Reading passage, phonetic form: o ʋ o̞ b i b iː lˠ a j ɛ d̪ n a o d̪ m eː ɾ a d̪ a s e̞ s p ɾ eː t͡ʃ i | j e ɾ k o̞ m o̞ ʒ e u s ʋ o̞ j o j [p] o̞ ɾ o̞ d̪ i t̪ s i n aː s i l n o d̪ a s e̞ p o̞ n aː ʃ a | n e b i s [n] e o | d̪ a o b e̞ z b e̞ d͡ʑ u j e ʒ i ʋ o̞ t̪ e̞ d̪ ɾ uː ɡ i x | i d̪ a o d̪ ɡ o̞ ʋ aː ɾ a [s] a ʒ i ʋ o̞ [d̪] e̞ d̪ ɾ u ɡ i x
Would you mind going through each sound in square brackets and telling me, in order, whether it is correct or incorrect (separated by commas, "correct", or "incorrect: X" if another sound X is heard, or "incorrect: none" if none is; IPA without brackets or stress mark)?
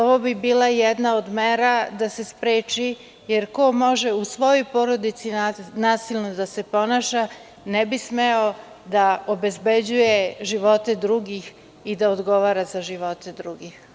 correct, incorrect: m, incorrect: z, incorrect: t̪